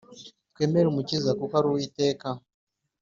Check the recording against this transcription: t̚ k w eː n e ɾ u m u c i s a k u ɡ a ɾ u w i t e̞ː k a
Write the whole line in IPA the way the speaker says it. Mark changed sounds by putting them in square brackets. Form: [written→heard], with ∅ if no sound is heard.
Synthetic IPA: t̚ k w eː [n→m] e ɾ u m u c i [s→z] a k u [ɡ→k] a ɾ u w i t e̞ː k a